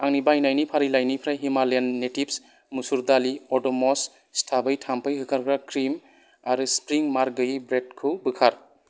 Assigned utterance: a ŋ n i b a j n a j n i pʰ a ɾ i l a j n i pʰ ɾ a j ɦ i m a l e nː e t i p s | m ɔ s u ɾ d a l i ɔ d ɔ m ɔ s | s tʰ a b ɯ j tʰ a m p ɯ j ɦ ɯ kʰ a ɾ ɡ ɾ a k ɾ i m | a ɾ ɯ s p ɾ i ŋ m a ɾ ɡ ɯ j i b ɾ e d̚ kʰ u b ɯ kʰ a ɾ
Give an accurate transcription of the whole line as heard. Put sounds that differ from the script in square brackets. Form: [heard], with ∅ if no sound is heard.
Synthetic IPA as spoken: a ŋ n i b a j n a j n i pʰ a ɾ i l a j n i pʰ ɾ a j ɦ i m a l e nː e t i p s | m [u] s u ɾ d a l i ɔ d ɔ m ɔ s | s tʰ a b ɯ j tʰ a m p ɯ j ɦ ɯ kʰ a ɾ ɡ ɾ a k ɾ i m | a ɾ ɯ s p ɾ i ŋ m a ɾ ɡ ɯ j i b ɾ e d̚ kʰ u b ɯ kʰ a ɾ

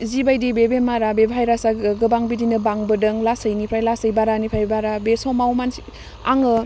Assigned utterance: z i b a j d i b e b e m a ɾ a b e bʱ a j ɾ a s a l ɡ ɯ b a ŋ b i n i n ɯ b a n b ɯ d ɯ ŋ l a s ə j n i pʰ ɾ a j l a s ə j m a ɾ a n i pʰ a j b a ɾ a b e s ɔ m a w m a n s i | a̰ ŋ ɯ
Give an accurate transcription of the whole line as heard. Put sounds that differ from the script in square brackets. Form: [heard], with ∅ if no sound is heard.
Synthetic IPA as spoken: z i b a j d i b e b e m a ɾ a b e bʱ a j ɾ a s a [∅] ɡ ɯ b a ŋ b i [d] i n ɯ b a [ŋ] b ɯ d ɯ ŋ l a s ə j n i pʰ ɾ a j l a s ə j [b] a ɾ a n i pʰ a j b a ɾ a b e s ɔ m a w m a n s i | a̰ ŋ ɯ

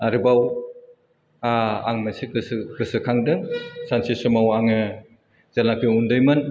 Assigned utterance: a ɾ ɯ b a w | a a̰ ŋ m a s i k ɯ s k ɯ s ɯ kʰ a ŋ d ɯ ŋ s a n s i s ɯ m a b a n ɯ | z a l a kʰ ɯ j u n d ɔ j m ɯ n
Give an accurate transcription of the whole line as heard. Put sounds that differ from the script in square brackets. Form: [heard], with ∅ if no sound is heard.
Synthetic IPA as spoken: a ɾ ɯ b a w | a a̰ ŋ m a s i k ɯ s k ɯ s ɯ kʰ a ŋ d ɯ ŋ s a n s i s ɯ m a [w] a [ŋ] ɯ | z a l a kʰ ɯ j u n d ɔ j m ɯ n

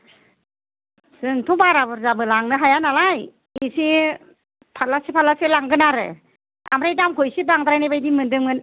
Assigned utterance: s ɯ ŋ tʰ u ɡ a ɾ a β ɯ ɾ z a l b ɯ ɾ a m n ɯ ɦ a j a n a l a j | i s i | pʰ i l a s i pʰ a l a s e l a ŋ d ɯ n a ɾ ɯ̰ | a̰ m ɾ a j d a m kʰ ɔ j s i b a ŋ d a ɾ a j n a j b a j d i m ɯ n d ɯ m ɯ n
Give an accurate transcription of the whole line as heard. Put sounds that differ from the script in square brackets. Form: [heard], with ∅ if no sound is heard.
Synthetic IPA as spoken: s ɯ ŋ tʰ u [b] a ɾ a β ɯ ɾ z a [∅] b ɯ [l] a [ŋ] n ɯ ɦ a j a n a l a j | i s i | pʰ [a] l a s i pʰ a l a s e l a ŋ [ɡ] ɯ n a ɾ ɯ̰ | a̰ m ɾ a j d a m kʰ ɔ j s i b a ŋ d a ɾ a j n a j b a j d i m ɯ n d ɯ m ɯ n

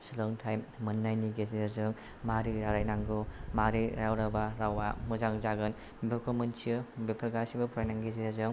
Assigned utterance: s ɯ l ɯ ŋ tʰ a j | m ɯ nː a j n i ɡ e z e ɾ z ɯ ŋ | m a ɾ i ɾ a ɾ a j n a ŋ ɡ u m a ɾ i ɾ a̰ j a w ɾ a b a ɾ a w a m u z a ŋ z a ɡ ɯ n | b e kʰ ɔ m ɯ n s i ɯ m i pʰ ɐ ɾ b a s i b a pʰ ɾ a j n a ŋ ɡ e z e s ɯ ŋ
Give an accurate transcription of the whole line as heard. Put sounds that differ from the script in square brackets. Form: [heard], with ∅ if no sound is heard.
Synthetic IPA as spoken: s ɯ l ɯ ŋ tʰ a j | m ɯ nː a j n i ɡ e z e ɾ z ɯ ŋ | m a ɾ i ɾ a ɾ a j n a ŋ ɡ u m a ɾ i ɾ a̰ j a w ɾ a b a ɾ a w a m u z a ŋ z a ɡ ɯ n | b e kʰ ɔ m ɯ n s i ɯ [b] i pʰ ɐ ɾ [ɡ] a s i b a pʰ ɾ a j n a ŋ ɡ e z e [z] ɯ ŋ

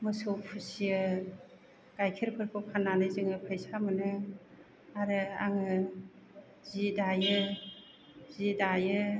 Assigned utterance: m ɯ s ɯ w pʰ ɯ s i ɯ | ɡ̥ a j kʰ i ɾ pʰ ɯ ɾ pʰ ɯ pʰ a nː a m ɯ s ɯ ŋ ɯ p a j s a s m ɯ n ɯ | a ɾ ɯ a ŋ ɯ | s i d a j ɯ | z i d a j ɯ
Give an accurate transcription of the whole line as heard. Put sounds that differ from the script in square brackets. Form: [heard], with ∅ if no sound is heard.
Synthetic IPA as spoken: m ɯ s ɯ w pʰ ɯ s i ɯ | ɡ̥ a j kʰ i ɾ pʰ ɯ ɾ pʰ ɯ pʰ a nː a [n] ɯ [z] ɯ ŋ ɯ [pʰ] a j s a [∅] m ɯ n ɯ | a ɾ ɯ a ŋ ɯ | [z] i d a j ɯ | z i d a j ɯ

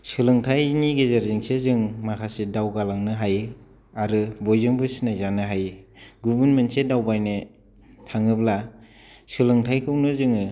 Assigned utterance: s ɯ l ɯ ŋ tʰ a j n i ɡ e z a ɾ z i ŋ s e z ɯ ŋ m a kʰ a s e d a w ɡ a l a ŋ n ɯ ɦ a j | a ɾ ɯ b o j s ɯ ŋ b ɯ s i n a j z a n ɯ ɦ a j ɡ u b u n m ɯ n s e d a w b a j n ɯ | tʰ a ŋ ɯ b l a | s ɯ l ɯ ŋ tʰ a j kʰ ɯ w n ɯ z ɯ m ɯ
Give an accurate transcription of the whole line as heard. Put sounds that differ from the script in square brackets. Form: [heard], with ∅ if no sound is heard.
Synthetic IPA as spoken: s ɯ l ɯ ŋ tʰ a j n i ɡ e z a ɾ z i ŋ s e z ɯ ŋ m a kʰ a s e d a w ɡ a l a ŋ n ɯ ɦ a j | a ɾ ɯ b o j [z] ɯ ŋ b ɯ s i n a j z a n ɯ ɦ a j ɡ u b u n m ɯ n s e d a w b a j n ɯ | tʰ a ŋ ɯ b l a | s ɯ l ɯ ŋ tʰ a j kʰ ɯ w n ɯ z ɯ [ŋ] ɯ

